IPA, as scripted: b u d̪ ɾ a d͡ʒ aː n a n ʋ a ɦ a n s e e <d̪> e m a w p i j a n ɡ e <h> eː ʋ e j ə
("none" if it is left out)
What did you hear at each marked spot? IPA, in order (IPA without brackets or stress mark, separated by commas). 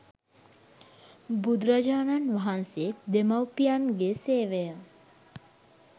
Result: d̪, s